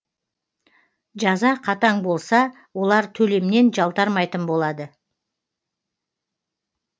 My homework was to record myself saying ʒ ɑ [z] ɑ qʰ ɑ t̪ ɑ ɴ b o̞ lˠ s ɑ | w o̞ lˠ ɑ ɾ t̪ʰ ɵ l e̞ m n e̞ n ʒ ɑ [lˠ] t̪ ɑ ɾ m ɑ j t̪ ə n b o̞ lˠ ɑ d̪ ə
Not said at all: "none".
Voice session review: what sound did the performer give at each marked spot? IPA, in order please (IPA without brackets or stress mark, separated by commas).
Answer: z, lˠ